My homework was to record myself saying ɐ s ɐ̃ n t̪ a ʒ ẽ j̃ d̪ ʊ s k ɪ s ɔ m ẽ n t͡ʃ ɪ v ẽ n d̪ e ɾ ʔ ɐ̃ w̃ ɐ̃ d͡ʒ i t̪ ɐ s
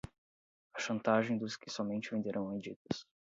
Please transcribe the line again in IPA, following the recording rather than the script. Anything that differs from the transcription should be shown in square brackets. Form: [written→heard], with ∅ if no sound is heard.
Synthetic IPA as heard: ɐ [s→ʃ] ɐ̃ n t̪ a ʒ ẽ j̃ d̪ ʊ s k ɪ s ɔ m ẽ n t͡ʃ ɪ v ẽ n d̪ e ɾ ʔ ɐ̃ w̃ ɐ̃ d͡ʒ i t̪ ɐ s